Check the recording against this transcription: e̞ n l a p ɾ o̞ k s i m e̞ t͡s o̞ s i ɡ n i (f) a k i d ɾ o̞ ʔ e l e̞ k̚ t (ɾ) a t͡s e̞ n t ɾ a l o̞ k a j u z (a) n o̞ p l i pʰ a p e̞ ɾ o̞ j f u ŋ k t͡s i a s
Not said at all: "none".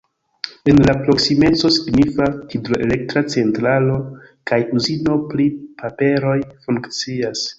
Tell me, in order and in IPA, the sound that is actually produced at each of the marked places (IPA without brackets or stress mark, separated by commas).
f, ɾ, i